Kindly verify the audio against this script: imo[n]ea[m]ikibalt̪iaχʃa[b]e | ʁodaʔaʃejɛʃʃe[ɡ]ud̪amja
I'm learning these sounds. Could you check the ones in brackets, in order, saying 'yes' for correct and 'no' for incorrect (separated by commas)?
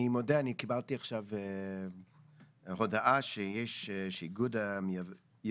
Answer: no, no, no, yes